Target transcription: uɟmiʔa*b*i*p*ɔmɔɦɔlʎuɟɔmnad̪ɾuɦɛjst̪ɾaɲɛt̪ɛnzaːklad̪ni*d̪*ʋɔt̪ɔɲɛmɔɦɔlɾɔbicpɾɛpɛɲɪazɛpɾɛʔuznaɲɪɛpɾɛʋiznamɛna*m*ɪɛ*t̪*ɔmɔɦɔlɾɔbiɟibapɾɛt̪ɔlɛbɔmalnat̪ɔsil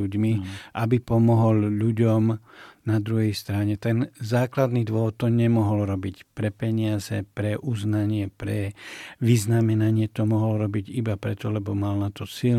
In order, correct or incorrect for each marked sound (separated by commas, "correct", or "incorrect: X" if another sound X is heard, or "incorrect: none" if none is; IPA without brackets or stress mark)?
correct, correct, correct, incorrect: ɲ, correct